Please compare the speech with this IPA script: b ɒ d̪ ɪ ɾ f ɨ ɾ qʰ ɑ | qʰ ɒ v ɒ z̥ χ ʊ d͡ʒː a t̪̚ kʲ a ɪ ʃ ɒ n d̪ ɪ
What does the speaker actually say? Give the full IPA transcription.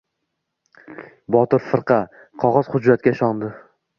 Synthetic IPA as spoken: b ɒ t̪ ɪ ɾ f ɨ ɾ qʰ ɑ | qʰ ɒ ʁ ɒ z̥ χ ʊ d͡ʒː a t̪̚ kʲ a ɪ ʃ ɒ n d̪ ɪ